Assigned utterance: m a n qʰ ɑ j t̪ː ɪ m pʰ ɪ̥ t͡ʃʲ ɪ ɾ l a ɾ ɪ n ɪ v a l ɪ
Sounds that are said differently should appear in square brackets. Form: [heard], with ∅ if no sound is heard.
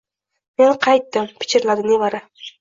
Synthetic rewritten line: m [e] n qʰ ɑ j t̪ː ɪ m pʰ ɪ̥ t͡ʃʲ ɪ ɾ l a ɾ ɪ n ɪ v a [ɾ] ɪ